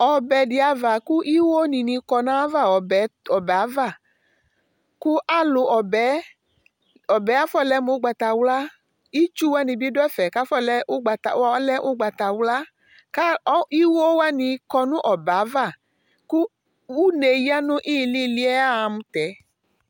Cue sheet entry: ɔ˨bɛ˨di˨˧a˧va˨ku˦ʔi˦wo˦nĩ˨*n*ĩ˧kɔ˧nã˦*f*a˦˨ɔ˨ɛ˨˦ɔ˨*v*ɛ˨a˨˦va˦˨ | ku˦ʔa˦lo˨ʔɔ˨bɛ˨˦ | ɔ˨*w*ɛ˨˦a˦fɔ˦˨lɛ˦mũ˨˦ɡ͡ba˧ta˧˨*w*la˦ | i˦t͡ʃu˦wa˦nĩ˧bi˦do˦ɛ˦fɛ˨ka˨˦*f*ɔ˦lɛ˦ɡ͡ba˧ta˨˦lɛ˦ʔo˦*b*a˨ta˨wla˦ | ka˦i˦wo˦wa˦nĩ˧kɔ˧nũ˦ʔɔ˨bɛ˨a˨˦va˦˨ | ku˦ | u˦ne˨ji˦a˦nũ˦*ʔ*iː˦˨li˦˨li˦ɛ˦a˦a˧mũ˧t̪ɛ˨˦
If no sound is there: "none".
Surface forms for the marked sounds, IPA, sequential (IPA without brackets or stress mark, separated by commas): n, v, b, b, w, f, ɡ͡b, ʔ